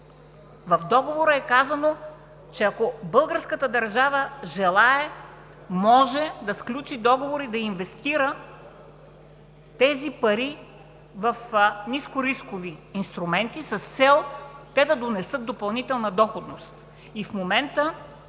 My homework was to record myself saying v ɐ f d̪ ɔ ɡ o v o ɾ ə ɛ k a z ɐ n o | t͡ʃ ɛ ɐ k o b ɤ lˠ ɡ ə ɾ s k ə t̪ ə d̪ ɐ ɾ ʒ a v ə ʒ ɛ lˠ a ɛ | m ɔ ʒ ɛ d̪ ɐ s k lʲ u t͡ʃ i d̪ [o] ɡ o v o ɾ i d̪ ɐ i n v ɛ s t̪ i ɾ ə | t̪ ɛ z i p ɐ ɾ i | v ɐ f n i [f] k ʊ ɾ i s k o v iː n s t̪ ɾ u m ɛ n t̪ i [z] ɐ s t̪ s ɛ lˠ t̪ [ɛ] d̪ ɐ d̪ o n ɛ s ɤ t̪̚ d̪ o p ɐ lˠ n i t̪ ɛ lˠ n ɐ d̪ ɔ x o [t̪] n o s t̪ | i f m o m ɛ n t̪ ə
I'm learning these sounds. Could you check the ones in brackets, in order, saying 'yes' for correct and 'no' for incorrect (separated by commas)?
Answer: no, no, no, yes, no